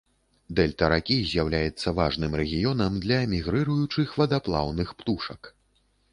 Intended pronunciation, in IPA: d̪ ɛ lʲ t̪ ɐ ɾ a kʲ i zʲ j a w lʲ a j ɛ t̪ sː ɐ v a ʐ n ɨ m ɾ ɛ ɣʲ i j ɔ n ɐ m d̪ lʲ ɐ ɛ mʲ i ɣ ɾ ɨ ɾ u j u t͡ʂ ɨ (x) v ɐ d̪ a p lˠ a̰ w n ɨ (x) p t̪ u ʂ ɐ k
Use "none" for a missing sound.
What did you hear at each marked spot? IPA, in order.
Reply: x, x

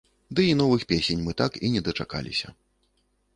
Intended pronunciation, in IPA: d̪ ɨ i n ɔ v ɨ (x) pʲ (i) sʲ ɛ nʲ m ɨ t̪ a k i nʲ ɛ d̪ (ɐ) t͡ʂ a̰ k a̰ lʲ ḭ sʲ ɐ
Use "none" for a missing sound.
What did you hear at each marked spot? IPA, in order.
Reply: x, e, ɐ

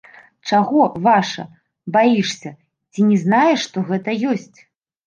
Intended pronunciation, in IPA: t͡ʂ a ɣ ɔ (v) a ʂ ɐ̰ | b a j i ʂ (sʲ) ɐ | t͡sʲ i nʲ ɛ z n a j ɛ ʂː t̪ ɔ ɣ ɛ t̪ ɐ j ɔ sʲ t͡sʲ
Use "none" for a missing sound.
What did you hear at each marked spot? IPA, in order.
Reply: v, sʲ

